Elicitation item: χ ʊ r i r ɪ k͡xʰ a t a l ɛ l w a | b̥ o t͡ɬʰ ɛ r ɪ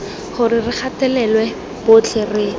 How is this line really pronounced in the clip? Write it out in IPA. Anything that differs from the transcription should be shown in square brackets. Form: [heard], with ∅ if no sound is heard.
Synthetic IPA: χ ʊ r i r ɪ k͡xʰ a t [ɛ] l ɛ l w [ɛ] | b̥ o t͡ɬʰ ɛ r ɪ